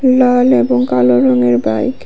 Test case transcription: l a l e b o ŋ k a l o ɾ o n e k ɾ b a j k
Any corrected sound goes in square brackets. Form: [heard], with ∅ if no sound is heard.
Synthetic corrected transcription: l a l e b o ŋ k a l o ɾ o [ŋ] e [∅] ɾ b a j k